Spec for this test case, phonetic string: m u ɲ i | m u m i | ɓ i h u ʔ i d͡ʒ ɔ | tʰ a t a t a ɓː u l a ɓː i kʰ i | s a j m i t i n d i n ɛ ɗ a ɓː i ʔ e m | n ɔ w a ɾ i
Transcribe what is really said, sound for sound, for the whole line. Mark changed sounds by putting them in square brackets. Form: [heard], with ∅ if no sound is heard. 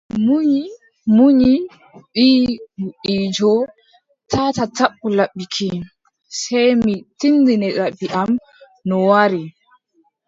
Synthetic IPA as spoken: m u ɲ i | m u [ɲ] i | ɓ i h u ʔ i d͡ʒ ɔ | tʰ a t a t a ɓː u l a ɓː i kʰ i | s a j m i t i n d i n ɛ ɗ a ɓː i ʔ [a] m | n ɔ w a ɾ i

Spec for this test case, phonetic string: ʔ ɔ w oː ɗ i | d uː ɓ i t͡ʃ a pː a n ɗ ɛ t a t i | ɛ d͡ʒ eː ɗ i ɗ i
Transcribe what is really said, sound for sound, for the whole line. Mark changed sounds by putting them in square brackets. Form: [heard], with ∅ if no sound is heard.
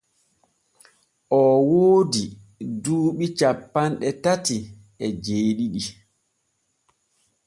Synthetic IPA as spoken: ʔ ɔ w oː [d] i | d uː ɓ i t͡ʃ a pː a n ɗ ɛ t a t i | ɛ d͡ʒ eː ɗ i ɗ i

